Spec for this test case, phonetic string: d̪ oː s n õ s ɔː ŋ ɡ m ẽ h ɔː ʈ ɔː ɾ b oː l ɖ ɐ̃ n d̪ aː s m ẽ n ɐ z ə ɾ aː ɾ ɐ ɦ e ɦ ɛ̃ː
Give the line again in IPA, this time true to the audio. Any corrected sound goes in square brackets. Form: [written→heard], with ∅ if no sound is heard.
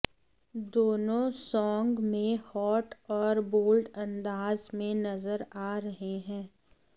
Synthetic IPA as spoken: d̪ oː [s→∅] n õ s ɔː ŋ ɡ m ẽ h ɔː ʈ ɔː ɾ b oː l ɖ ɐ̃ n d̪ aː [s→z] m ẽ n ɐ z ə ɾ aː ɾ ɐ ɦ e ɦ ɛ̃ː